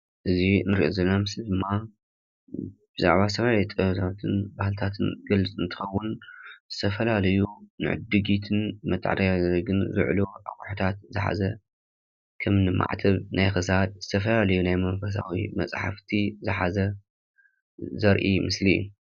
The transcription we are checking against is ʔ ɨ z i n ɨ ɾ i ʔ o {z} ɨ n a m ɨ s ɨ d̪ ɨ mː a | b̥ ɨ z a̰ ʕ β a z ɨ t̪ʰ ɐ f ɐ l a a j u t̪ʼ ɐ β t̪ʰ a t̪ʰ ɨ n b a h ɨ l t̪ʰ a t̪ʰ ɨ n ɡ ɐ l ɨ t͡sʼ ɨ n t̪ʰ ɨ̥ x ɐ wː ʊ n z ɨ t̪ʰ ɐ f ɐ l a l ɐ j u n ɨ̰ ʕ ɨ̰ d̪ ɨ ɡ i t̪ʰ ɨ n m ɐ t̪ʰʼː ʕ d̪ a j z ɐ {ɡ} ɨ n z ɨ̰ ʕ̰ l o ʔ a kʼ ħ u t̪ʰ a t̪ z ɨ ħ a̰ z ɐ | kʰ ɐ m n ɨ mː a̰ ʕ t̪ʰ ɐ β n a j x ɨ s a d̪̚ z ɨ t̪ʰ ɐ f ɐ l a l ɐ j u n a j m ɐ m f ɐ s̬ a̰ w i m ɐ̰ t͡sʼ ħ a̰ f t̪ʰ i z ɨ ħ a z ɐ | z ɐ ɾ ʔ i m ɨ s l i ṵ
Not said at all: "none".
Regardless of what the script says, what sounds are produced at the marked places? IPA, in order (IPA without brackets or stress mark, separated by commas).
z, ɡ